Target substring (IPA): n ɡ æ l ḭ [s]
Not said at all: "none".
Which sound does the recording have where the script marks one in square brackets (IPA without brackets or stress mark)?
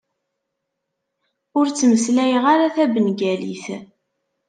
θ